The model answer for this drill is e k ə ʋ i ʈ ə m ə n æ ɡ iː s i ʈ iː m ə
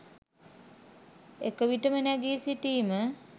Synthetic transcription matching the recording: e k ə ʋ i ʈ ə m ə n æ ɡ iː s i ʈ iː m ə

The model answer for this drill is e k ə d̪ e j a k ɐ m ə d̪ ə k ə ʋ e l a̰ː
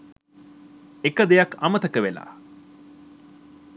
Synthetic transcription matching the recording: e k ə d̪ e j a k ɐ m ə t̪ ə k ə ʋ e l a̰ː

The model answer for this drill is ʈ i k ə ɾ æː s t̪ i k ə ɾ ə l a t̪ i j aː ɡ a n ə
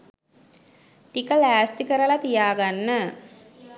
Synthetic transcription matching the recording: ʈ i k ə l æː s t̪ i k ə ɾ ə l a t̪ i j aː ɡ a nː ə

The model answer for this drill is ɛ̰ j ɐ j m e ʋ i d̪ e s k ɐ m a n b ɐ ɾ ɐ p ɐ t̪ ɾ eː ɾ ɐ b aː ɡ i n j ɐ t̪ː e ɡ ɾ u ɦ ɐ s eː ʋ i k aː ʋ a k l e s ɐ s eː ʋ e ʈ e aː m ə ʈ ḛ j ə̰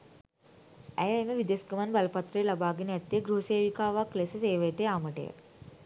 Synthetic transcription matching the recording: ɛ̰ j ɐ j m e ʋ i d̪ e s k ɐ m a n b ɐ l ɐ p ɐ t̪ ɾ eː l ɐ b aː ɡ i n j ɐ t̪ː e ɡ ɾ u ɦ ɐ s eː ʋ i k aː ʋ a k l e s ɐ s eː ʋ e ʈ e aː m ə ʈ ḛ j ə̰

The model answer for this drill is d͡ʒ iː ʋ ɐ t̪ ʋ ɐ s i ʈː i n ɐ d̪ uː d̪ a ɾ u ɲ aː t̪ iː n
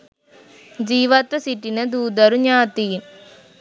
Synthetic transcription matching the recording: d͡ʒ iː ʋ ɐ t̪ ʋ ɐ s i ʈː i n ɐ d̪ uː d̪ ɐ ɾ u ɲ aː t̪ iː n

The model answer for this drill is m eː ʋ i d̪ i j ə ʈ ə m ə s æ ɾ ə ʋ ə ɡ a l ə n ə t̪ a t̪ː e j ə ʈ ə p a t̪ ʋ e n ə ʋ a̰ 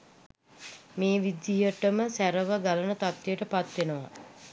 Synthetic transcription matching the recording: m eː ʋ i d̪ i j ə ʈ ə m ə s æ ɾ ə ʋ ə ɡ a l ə n ə t̪ a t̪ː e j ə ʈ ə p a t̪ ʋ e n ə ʋ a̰

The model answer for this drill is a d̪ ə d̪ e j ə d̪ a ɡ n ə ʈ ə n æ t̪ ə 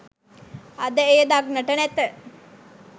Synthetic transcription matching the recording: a d̪ ə e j ə d̪ a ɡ n ə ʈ ə n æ t̪ ə

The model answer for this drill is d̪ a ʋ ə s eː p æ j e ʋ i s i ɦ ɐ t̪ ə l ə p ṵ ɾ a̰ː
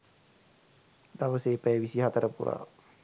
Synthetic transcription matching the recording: d̪ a ʋ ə s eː p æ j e ʋ i s i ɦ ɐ t̪ ə ɾ ə p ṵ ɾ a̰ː

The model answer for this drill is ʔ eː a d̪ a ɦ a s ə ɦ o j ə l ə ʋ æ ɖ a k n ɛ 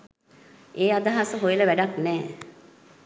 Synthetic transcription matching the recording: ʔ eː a d̪ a ɦ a s ə ɦ o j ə l ə ʋ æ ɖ a k n ɛː

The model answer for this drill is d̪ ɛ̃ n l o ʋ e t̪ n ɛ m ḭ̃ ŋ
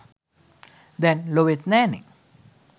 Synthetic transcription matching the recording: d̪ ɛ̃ n l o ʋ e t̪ n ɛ n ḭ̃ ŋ

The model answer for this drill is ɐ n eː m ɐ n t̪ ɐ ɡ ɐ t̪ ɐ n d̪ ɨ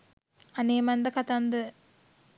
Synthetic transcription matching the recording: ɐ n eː m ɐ n d̪ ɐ k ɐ t̪ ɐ n d̪ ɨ

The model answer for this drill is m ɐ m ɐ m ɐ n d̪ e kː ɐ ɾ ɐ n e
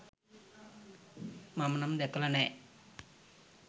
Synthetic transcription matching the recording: m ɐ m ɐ n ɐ m d̪ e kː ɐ l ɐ n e

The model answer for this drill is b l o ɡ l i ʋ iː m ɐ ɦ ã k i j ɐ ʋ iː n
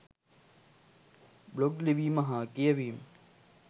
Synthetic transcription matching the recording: b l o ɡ l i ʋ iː m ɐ ɦ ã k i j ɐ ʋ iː m

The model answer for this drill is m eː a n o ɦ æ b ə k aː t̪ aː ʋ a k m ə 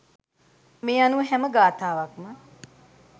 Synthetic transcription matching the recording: m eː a n u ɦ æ m ə ɡ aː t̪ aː ʋ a k m ə

